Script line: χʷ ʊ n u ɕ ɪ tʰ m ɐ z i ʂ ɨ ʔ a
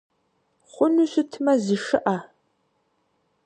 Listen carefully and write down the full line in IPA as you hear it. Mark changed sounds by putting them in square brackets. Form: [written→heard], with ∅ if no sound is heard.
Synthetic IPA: χʷ ʊ n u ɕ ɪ tʰ m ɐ z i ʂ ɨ ʔ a